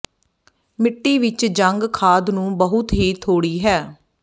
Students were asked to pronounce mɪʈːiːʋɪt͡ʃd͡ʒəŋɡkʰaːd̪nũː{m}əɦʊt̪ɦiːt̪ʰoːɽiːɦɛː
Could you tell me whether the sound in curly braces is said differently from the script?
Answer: yes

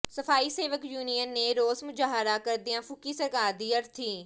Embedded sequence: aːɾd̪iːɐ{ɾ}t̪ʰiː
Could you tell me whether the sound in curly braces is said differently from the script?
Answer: no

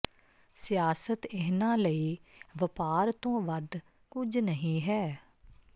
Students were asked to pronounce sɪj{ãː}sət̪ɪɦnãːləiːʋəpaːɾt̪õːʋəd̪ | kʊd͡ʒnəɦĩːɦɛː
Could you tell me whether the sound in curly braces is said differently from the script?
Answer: yes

